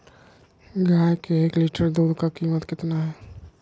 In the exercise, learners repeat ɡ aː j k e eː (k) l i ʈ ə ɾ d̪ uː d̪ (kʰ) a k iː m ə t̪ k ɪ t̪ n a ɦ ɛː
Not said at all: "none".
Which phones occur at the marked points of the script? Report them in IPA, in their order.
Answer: k, k

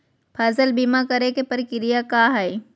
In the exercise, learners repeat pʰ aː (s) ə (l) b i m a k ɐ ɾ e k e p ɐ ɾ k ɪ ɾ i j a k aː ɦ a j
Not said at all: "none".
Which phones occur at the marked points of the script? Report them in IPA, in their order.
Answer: z, l

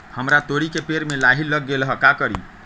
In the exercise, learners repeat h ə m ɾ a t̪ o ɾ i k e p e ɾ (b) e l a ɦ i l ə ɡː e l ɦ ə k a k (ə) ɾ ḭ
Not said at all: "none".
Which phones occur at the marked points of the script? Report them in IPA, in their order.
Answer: m, ə

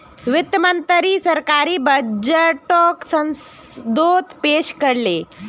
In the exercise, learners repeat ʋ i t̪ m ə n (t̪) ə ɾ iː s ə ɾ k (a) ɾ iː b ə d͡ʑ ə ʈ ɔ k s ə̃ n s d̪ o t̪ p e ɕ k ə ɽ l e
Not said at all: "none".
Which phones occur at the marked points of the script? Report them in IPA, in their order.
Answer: t̪, a

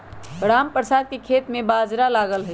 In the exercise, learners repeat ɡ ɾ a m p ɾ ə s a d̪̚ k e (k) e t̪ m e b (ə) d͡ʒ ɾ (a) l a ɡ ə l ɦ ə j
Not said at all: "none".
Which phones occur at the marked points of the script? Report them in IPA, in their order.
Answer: kʰ, a, a

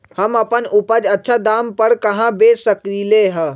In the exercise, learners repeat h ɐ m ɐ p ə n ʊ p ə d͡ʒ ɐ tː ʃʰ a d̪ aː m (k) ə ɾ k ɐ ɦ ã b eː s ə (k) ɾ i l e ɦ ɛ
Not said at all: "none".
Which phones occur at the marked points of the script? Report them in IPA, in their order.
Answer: p, k

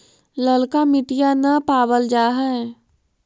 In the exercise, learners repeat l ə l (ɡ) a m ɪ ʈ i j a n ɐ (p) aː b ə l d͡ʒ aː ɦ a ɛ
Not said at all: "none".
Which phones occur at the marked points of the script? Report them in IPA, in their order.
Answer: k, p

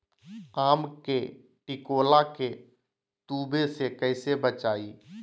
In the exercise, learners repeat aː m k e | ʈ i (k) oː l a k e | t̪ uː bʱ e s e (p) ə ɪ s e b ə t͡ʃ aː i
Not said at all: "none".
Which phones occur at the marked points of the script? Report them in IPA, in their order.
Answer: k, k

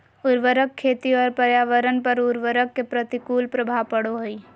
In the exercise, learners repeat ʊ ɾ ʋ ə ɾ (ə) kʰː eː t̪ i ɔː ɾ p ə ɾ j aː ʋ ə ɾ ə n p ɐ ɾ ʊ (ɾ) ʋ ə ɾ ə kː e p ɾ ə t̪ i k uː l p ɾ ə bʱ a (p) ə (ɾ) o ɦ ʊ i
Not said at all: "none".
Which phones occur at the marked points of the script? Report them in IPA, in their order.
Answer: ə, ɾ, p, ɽ

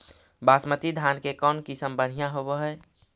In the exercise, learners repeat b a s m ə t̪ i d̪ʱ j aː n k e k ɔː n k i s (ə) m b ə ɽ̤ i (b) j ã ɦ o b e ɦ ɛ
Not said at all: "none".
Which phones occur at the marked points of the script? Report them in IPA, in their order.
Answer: ə, none

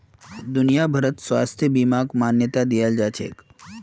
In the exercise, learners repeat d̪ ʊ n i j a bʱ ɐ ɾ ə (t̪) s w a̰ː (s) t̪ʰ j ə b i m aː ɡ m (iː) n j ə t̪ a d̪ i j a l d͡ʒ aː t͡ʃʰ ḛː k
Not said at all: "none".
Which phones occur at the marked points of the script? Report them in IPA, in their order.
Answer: t̪, s, aː

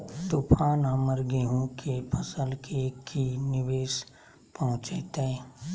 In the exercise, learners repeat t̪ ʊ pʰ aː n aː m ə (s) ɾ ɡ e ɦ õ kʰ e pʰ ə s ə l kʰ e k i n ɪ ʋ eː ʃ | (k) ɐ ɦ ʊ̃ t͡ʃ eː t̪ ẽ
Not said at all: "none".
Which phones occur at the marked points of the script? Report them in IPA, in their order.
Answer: none, p

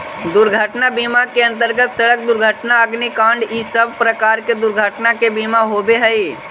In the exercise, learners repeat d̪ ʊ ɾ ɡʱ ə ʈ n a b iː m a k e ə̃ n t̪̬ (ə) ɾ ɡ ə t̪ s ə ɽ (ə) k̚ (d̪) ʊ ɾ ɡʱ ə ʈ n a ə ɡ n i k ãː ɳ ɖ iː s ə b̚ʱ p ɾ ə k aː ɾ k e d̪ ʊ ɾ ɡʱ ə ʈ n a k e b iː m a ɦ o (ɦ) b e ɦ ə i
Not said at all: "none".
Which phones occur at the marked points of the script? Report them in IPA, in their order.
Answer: ə, ə, d̪, none

